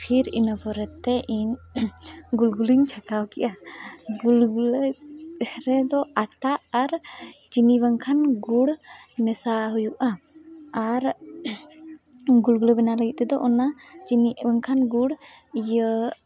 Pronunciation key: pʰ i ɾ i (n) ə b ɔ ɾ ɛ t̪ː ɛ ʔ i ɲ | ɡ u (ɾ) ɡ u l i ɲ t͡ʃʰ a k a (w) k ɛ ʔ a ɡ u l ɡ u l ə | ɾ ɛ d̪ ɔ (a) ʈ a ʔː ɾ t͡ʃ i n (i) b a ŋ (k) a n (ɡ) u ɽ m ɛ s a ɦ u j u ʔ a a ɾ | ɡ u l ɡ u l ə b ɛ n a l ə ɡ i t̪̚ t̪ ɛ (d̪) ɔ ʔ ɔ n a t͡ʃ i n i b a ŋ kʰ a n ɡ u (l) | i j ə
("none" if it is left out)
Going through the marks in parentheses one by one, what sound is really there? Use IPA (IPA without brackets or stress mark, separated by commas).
n, l, w, a, i, kʰ, ɡ, d̪, ɽ